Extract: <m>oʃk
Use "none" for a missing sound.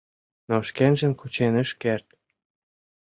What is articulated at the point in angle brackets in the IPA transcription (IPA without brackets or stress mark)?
n